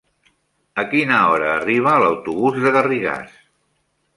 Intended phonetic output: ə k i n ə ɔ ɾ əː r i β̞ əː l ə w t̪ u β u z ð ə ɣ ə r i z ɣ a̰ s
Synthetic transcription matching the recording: ə k i n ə ɔ ɾ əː r i β̞ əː l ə w t̪ u β u z ð ə ɣ ə r i ɣ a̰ s